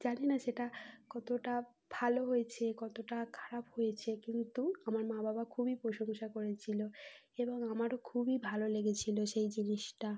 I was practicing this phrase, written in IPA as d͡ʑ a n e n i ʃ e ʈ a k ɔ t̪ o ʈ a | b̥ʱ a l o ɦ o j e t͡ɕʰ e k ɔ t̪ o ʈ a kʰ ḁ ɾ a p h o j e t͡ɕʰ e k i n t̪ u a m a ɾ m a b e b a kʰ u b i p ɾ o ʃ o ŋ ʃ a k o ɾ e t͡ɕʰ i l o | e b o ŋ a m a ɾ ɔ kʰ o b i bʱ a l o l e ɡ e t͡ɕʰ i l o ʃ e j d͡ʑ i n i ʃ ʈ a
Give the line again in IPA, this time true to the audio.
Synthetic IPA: d͡ʑ a n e n a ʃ e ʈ a k ɔ t̪ o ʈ a | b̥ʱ a l o ɦ o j e t͡ɕʰ e k ɔ t̪ o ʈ a kʰ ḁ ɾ a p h o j e t͡ɕʰ e k i n t̪ u a m a ɾ m a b a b a kʰ u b i p ɾ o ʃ o ŋ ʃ a k o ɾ e t͡ɕʰ i l o | e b o ŋ a m a ɾ o kʰ u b i bʱ a l o l e ɡ e t͡ɕʰ i l o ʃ e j d͡ʑ i n i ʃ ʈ a